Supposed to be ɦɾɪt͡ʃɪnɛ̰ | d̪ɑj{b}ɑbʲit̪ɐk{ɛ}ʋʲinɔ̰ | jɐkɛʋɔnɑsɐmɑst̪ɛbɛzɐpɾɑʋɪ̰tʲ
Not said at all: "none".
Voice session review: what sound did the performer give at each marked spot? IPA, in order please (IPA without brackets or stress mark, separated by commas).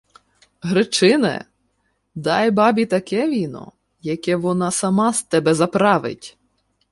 b, ɛ